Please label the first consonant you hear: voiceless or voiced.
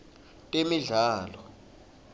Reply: voiceless